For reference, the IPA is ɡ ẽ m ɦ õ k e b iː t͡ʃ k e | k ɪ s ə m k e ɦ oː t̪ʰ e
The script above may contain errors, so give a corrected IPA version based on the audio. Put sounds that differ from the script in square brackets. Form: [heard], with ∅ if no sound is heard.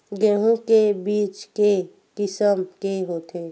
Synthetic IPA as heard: ɡ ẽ [∅] ɦ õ k e b iː t͡ʃ k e | k ɪ s ə m k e ɦ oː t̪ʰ e